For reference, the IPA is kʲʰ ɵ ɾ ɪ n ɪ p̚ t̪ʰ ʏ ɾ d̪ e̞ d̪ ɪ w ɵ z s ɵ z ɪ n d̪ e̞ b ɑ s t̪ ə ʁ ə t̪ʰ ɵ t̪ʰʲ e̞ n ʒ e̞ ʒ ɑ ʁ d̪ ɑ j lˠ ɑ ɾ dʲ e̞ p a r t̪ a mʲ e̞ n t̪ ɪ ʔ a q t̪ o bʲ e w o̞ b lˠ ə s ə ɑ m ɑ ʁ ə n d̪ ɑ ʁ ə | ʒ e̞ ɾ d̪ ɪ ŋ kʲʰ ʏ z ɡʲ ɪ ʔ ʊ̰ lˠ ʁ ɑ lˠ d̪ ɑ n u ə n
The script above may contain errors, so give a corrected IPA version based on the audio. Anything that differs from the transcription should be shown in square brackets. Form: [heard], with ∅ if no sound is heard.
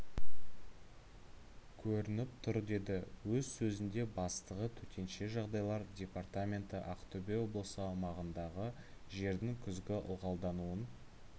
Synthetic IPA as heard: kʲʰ ɵ ɾ ɪ n ɪ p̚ t̪ʰ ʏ ɾ d̪ e̞ d̪ ɪ w ɵ z s ɵ z ɪ n d̪ e̞ b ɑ s t̪ ə ʁ ə t̪ʰ ɵ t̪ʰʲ e̞ n [ʃ] e̞ ʒ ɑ ʁ d̪ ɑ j lˠ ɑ ɾ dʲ e̞ p a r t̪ a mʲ e̞ n t̪ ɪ ʔ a q t̪ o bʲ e w o̞ b lˠ ə s ə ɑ m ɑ ʁ ə n d̪ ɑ ʁ ə | ʒ e̞ ɾ d̪ ɪ ŋ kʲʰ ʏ z ɡʲ ɪ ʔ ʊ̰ lˠ ʁ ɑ lˠ d̪ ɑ n u ə n

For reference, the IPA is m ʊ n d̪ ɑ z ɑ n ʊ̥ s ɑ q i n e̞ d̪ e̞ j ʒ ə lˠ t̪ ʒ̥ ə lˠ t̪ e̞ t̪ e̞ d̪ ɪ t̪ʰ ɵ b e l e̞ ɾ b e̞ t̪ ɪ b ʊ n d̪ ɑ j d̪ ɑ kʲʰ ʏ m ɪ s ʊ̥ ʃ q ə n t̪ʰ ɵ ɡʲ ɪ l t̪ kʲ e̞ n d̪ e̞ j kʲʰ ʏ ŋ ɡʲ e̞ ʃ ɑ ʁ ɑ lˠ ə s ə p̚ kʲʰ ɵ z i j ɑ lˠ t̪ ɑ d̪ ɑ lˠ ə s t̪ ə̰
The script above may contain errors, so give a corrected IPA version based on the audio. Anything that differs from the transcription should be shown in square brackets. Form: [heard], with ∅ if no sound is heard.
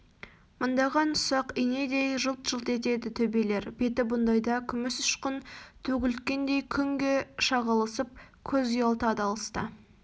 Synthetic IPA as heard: m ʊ n d̪ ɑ [ʁ] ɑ n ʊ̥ s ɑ q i n e̞ d̪ e̞ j ʒ ə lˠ t̪ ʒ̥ ə lˠ t̪ e̞ t̪ e̞ d̪ ɪ t̪ʰ ɵ b e l e̞ ɾ b e̞ t̪ ɪ b ʊ n d̪ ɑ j d̪ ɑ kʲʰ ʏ m ɪ s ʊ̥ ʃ q ə n t̪ʰ ɵ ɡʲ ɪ l t̪ kʲ e̞ n d̪ e̞ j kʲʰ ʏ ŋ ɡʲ e̞ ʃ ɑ ʁ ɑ lˠ ə s ə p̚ kʲʰ ɵ z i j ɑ lˠ t̪ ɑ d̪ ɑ lˠ ə s t̪ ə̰

